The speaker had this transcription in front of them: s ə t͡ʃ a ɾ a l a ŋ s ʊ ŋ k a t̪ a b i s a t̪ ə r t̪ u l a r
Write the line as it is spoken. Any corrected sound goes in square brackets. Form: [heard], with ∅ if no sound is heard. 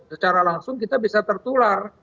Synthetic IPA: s ə t͡ʃ a ɾ a l a ŋ s ʊ ŋ k [i] t̪ a b i s a t̪ ə r t̪ u l a r